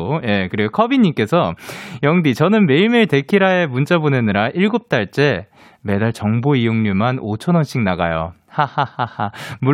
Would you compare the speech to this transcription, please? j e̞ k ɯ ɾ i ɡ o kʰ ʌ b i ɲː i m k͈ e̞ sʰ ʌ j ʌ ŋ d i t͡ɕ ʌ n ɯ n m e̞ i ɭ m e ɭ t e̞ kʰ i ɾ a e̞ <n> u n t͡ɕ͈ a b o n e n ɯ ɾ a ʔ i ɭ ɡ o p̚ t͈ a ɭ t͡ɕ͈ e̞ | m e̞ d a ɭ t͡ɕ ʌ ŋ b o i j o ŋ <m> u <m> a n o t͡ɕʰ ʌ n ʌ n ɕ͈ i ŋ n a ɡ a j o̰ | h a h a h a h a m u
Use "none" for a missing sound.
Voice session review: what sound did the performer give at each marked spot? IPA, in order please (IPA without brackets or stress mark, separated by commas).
m, ɲ, m